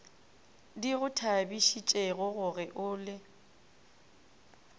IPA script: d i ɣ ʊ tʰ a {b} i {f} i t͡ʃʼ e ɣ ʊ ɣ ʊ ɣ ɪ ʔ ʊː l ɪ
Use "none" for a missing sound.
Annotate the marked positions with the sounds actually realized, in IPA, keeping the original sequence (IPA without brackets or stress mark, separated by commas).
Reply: b, ʃ